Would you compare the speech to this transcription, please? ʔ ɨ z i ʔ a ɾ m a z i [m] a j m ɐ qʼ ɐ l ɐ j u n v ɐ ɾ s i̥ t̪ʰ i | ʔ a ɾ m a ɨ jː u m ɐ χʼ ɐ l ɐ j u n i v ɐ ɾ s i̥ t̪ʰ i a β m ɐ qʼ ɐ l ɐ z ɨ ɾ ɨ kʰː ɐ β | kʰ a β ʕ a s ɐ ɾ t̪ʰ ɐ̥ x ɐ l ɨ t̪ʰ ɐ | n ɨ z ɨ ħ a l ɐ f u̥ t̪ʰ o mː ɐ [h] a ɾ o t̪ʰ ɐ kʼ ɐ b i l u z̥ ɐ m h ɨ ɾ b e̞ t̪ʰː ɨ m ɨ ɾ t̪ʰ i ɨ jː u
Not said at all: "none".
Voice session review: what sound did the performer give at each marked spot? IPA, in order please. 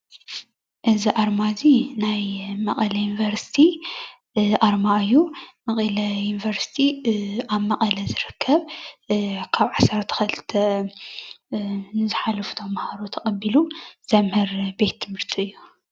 n, h

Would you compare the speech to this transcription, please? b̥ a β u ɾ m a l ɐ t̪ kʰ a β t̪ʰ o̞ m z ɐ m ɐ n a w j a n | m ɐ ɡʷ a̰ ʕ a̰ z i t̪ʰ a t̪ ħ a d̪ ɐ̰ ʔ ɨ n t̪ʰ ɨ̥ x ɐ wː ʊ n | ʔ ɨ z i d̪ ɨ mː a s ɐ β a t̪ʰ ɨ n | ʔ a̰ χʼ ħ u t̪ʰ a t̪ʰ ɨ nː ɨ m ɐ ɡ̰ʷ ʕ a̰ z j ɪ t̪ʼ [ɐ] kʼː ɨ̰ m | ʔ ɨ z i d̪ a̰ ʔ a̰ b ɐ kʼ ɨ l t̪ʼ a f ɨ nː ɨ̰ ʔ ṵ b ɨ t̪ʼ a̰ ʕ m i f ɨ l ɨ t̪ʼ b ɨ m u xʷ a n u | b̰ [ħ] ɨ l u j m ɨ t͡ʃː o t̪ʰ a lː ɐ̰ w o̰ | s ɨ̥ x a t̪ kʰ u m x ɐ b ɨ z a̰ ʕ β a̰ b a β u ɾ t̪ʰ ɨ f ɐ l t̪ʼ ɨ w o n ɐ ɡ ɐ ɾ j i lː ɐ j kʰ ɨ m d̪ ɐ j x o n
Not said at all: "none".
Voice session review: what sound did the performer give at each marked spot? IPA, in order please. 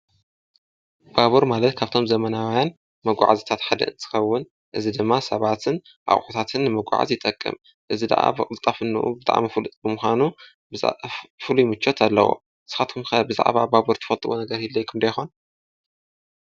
ɐ, f

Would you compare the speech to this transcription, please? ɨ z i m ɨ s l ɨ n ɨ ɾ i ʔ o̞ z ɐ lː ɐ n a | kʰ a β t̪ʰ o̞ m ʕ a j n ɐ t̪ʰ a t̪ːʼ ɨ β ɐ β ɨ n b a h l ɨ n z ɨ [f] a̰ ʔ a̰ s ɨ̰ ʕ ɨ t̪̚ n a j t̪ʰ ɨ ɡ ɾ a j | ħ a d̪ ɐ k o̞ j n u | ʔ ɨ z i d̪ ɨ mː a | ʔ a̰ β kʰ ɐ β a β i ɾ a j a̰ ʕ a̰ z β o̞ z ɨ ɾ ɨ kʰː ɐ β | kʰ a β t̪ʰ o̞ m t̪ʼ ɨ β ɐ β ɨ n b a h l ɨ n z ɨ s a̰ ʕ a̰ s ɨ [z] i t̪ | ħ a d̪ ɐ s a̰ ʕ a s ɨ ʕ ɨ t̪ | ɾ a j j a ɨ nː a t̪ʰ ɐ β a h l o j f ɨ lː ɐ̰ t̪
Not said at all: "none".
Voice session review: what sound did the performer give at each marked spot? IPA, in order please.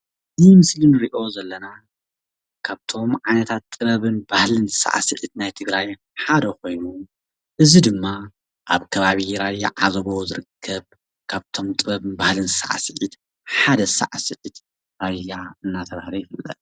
s, ʕ

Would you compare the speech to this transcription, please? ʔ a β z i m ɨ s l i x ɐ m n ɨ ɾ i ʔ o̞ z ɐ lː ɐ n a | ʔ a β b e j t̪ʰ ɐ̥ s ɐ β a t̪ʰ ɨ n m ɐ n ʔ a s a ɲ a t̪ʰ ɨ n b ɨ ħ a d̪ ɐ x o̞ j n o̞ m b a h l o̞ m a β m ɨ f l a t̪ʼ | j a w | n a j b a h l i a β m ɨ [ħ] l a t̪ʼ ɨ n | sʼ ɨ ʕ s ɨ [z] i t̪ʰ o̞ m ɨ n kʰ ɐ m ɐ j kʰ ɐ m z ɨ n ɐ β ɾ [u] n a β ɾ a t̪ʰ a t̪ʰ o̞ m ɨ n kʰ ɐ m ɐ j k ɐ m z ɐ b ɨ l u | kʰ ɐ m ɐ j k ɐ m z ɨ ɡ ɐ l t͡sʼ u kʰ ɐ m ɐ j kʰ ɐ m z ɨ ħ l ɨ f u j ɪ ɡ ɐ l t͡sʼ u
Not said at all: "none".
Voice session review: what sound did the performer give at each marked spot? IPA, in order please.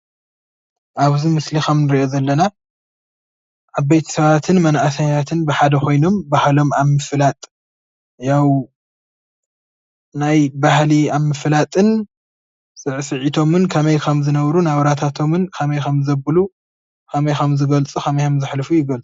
f, ʕ, u

